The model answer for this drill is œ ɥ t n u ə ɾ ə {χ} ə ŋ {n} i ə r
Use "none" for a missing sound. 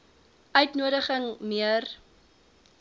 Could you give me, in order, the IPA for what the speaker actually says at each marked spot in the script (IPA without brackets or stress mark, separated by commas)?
χ, m